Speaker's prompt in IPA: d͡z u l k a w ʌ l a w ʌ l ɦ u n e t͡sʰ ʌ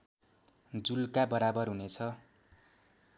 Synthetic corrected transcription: d͡z u l k a b ʌ ɾ a b ʌ r ɦ u n e t͡sʰ ʌ